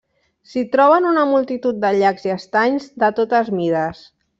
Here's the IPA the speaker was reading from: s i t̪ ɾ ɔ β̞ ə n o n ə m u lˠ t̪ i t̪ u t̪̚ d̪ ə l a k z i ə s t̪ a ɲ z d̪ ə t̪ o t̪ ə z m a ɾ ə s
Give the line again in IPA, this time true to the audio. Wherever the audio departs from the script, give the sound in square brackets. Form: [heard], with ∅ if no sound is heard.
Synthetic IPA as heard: s i t̪ ɾ ɔ β̞ ə n [u] n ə m u lˠ t̪ i t̪ u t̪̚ d̪ ə [ʎ] a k z i ə s t̪ a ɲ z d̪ ə t̪ o t̪ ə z m [i] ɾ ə s